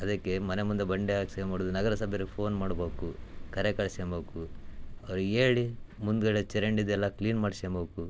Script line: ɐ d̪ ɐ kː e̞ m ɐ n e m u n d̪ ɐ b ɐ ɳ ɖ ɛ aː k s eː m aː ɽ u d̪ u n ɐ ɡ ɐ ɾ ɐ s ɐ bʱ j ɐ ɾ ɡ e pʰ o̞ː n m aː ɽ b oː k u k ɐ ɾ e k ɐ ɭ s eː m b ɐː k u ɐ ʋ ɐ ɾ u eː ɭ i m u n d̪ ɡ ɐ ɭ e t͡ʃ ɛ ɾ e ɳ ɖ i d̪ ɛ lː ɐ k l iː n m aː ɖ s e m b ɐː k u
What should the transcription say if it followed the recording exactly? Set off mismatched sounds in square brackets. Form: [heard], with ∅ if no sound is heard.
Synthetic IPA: ɐ d̪ ɐ kː e̞ m ɐ n e m u n d̪ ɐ b ɐ ɳ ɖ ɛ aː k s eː m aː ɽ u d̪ u n ɐ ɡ ɐ ɾ ɐ s ɐ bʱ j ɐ ɾ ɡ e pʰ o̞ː n m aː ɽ b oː k u k ɐ ɾ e k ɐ ɭ s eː m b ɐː k u ɐ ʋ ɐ ɾ u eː ɭ i m u n d̪ ɡ ɐ ɭ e t͡ʃ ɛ ɾ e ɳ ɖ i d̪ ɛ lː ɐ k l iː n m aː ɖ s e m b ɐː k u